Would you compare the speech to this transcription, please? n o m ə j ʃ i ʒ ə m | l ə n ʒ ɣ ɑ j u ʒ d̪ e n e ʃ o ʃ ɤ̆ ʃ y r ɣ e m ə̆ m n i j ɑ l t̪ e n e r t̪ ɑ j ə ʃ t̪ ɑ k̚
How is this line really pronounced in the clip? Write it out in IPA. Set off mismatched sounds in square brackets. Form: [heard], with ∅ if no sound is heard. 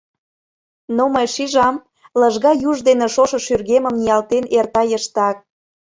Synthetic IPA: n o m ə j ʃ i ʒ [ɑ] m | l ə [∅] ʒ ɣ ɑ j u ʒ d̪ e n e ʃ o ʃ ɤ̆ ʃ y r ɣ e m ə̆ m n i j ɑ l t̪ e n e r t̪ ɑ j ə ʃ t̪ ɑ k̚